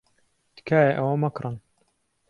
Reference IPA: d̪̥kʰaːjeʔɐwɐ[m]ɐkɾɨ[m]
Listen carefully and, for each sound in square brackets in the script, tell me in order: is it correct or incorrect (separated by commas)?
correct, incorrect